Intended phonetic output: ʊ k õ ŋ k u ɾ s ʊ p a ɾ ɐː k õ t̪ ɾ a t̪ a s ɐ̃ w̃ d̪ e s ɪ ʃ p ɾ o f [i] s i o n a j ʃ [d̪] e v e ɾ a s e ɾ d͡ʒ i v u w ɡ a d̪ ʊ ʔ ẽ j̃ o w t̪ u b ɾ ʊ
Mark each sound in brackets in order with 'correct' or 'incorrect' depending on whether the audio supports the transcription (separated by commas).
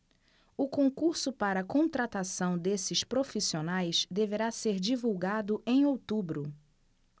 correct, correct